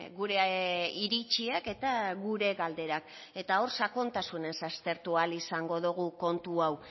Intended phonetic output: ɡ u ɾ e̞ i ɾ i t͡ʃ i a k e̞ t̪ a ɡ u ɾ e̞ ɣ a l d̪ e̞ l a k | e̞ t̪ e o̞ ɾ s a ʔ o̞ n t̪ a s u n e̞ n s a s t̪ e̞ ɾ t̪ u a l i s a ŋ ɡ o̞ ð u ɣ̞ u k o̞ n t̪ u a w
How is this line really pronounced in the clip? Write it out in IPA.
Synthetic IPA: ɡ u ɾ e̞ i ɾ i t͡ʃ i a k e̞ t̪ a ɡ u ɾ e̞ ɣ a l d̪ e̞ ɾ a k | e̞ t̪ a o̞ ɾ s a k o̞ n t̪ a s u n e̞ n s a s t̪ e̞ ɾ t̪ u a l i s a ŋ ɡ o̞ ð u ɣ̞ u k o̞ n t̪ u a w